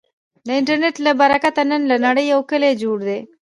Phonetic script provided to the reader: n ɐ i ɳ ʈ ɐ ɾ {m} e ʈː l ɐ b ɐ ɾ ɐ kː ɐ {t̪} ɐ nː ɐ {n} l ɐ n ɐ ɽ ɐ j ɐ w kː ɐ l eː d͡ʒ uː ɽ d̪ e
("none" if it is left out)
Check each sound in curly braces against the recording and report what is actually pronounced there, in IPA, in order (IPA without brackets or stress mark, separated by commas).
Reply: n, t̪, n